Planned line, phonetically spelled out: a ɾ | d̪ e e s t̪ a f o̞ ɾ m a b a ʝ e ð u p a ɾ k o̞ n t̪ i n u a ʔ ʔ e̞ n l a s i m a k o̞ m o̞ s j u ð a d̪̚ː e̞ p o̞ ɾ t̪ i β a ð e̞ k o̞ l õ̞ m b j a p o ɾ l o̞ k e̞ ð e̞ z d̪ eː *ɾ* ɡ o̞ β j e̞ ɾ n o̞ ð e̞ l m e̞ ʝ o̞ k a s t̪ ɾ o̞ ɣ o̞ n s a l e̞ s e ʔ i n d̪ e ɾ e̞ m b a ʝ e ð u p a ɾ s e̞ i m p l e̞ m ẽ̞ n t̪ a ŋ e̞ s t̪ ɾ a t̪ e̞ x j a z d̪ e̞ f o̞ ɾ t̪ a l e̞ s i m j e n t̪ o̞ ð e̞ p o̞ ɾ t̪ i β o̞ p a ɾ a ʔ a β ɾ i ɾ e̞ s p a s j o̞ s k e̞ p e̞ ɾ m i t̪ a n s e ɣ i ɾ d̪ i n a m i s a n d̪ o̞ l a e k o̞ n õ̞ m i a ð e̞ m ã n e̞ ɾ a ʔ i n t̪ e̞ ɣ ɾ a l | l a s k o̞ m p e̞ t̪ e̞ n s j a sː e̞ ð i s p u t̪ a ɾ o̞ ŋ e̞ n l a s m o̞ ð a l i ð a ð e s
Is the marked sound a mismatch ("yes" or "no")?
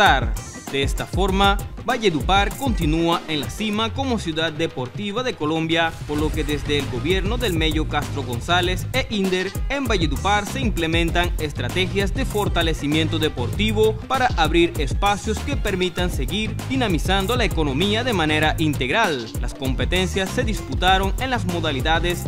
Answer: yes